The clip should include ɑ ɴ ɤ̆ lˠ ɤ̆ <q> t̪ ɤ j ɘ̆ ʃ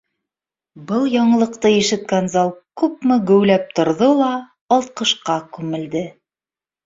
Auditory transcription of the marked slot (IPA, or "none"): q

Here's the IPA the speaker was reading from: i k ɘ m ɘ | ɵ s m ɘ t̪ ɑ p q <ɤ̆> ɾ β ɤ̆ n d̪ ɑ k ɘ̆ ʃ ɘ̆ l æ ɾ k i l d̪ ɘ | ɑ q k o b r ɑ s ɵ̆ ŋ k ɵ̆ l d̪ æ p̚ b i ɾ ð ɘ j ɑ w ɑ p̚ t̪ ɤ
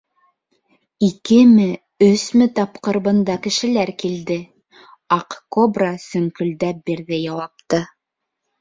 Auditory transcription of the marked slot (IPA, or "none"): ɤ̆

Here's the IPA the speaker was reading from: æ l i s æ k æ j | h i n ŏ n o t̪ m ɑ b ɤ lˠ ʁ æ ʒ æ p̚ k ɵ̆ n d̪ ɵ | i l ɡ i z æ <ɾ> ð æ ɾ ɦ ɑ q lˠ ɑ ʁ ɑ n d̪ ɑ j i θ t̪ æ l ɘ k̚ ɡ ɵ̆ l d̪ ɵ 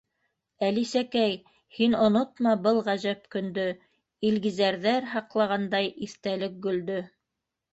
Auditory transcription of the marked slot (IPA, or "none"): ɾ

